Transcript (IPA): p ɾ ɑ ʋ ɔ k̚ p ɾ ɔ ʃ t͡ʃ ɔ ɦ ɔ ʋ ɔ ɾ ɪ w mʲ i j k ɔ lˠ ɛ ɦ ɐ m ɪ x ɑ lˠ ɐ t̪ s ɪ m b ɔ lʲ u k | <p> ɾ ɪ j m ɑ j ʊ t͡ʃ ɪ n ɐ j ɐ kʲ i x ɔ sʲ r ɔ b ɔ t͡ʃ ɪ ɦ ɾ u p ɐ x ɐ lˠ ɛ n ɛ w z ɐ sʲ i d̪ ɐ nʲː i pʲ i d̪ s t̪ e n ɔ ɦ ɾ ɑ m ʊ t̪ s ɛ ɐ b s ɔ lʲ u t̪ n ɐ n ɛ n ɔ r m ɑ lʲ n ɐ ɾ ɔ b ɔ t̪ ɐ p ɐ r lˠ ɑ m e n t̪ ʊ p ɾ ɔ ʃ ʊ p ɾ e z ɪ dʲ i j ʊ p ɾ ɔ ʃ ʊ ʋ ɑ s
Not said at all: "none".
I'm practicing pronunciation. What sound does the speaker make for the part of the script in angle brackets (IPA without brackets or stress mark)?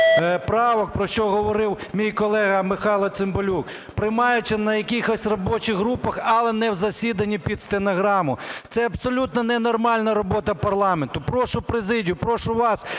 p